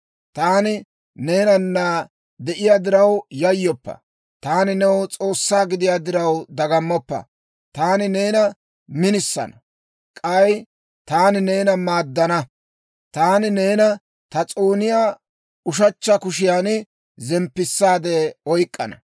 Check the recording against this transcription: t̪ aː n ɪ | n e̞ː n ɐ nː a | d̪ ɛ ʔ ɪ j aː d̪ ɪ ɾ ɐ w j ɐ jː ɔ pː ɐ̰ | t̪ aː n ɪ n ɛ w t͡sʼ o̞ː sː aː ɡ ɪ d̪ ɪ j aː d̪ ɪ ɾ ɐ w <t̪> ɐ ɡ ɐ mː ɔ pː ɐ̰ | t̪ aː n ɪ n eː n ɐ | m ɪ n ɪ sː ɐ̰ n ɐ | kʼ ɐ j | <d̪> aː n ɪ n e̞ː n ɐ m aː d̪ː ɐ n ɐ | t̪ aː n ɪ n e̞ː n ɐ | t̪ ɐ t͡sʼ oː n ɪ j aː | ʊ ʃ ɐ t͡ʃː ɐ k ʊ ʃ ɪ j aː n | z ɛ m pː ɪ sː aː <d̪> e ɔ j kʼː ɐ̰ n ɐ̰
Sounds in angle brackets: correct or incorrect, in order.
incorrect: d̪, incorrect: t̪, correct

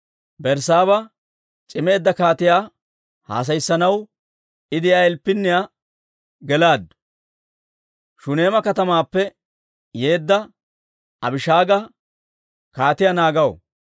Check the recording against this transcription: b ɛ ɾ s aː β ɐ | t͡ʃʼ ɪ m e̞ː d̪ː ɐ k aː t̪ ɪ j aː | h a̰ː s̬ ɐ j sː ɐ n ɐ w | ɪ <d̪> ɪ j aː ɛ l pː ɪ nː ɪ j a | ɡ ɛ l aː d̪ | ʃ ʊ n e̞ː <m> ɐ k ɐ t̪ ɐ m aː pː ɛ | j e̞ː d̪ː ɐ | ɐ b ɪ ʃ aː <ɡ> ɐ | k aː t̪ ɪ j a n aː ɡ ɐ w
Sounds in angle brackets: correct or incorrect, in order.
correct, correct, correct

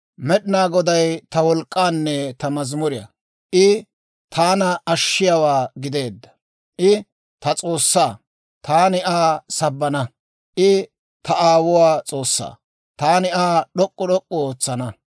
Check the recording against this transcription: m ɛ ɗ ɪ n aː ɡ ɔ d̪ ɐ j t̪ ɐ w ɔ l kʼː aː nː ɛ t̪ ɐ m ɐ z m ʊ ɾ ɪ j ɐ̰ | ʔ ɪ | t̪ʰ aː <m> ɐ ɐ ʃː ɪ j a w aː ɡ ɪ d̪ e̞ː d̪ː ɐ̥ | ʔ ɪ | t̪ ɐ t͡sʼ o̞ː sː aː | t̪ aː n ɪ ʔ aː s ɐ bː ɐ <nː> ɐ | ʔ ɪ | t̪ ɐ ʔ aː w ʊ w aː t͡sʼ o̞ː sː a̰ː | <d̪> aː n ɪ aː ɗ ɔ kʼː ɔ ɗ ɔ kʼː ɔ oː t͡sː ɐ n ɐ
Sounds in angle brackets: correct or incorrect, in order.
incorrect: n, incorrect: n, incorrect: t̪

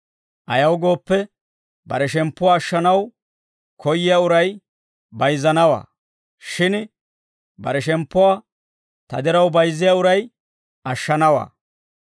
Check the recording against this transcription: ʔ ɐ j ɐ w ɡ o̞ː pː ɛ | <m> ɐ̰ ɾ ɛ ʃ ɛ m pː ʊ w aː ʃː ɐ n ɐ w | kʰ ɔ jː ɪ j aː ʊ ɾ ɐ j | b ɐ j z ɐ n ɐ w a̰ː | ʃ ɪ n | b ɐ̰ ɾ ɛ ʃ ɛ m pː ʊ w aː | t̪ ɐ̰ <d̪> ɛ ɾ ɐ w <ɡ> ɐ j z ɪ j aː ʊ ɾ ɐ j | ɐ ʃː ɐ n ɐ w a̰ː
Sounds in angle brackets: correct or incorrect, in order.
incorrect: b, correct, incorrect: b

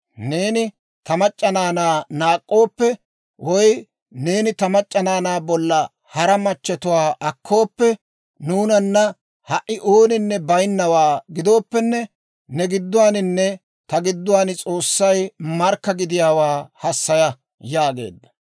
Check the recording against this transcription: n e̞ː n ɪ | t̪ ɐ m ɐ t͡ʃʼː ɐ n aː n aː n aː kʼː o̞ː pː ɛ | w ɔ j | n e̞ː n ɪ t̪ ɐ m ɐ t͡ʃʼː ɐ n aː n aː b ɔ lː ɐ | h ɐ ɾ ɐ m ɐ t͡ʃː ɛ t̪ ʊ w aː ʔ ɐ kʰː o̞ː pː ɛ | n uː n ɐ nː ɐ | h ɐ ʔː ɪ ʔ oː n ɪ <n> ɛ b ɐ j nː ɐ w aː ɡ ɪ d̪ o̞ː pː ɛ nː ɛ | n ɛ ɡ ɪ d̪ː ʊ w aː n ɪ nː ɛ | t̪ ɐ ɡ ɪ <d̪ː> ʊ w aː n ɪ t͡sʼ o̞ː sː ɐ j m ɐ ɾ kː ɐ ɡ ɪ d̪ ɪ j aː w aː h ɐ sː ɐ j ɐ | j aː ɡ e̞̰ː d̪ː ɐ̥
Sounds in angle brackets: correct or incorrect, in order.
incorrect: nː, correct

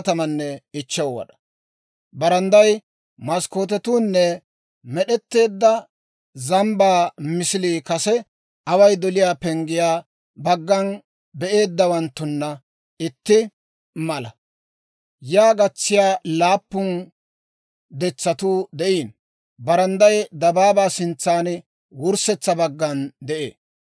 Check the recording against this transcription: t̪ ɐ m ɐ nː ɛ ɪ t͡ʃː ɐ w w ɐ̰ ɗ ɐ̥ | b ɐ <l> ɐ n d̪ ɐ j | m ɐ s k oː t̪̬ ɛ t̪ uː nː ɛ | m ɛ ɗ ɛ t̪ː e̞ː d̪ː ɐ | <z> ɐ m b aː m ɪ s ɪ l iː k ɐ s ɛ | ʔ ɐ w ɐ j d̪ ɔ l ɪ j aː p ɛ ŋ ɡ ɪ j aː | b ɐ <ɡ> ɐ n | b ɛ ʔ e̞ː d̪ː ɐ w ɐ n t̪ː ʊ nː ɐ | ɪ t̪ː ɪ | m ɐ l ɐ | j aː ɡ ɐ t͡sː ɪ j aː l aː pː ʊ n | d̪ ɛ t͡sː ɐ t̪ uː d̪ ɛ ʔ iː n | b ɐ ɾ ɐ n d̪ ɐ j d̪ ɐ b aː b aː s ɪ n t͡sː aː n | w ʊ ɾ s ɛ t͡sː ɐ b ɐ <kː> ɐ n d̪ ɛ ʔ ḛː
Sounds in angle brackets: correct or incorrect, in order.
incorrect: ɾ, correct, incorrect: ɡː, incorrect: ɡː

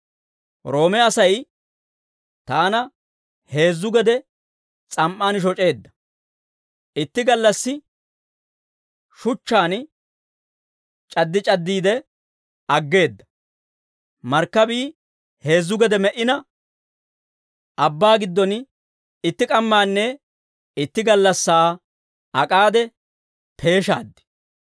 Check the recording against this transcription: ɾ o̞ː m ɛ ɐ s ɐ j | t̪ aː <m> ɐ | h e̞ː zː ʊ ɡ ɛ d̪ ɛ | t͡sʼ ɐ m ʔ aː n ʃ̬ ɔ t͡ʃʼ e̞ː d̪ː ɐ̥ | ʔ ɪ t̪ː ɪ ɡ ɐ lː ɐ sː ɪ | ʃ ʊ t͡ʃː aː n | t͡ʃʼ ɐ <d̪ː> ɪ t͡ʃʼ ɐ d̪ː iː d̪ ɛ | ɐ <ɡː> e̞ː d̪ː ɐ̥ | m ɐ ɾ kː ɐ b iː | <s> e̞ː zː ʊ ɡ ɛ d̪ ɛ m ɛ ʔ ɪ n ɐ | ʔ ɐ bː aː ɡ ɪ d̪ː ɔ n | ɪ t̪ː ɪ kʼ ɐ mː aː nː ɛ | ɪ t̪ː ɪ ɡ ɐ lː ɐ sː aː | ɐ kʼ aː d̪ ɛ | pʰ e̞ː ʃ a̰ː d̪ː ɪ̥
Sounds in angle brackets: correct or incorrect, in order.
incorrect: n, correct, correct, incorrect: h

